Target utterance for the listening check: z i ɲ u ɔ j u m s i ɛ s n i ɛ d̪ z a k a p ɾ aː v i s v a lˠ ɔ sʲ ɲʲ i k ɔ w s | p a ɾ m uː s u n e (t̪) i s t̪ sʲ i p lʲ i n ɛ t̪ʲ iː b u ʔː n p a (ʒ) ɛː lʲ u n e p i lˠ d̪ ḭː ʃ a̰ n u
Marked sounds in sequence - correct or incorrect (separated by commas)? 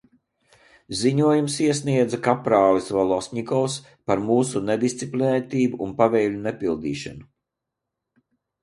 incorrect, incorrect